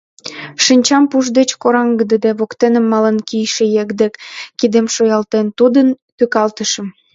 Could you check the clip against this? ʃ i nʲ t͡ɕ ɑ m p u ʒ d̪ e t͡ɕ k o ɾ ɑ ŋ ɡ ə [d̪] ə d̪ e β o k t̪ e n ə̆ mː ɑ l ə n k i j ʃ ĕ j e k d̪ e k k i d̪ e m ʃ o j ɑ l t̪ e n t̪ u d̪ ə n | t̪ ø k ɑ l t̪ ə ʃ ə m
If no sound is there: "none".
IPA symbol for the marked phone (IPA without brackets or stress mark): d̪